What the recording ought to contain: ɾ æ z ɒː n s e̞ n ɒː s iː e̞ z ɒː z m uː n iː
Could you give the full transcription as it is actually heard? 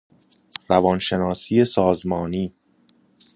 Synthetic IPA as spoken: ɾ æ v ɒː n ʃ e̞ n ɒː s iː e̞ s ɒː z m ɒː n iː